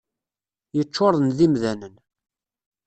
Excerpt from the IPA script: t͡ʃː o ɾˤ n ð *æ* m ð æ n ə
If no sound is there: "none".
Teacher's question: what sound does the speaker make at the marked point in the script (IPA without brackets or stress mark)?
i